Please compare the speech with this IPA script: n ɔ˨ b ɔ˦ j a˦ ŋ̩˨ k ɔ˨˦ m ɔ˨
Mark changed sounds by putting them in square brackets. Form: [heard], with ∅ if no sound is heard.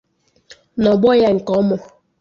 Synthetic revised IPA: n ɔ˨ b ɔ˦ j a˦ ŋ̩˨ k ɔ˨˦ m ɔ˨